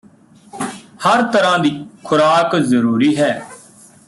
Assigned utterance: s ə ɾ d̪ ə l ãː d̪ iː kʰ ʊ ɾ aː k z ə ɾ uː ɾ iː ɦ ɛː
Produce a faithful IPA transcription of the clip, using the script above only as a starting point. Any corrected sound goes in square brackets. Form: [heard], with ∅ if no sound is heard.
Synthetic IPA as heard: [h] ə ɾ [t̪] ə [ɾ] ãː d̪ iː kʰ ʊ ɾ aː k z ə ɾ uː ɾ iː ɦ ɛː